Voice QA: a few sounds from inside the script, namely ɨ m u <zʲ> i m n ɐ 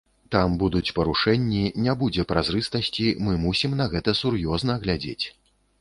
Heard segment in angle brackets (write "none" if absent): sʲ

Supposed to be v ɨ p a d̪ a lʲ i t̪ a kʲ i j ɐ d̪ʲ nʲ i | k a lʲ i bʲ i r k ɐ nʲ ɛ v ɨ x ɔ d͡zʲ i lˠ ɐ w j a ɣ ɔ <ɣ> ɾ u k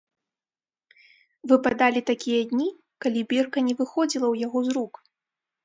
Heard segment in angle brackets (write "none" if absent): z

